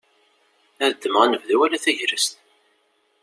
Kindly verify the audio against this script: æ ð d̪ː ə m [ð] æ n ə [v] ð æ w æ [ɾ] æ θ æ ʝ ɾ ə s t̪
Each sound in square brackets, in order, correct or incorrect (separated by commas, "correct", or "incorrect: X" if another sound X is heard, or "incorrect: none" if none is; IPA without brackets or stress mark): incorrect: ʁ, correct, incorrect: l